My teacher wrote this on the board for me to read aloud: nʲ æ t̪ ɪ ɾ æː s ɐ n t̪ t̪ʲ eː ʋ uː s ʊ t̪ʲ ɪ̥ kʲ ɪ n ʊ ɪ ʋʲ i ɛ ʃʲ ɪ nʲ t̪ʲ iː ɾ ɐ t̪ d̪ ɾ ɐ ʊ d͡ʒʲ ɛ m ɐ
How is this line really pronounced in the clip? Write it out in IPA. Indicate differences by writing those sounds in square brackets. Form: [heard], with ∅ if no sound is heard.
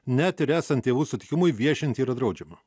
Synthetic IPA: nʲ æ t̪ ɪ ɾ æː s ɐ n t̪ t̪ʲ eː ʋ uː s ʊ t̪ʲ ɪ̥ kʲ ɪ [m] ʊ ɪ ʋʲ i ɛ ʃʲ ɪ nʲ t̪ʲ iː ɾ ɐ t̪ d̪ ɾ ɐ ʊ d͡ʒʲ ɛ m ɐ